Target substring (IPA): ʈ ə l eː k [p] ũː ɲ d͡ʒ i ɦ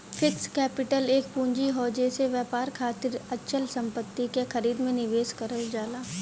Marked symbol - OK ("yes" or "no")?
yes